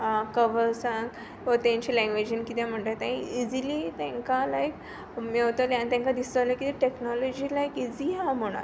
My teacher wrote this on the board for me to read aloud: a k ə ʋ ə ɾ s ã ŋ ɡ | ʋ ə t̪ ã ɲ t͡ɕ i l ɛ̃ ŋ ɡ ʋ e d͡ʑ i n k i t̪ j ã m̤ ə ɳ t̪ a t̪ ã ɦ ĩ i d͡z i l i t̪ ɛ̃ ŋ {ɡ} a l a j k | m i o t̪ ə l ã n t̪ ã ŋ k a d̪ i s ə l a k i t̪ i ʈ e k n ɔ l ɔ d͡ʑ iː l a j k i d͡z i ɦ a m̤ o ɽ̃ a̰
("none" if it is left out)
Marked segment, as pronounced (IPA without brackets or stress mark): k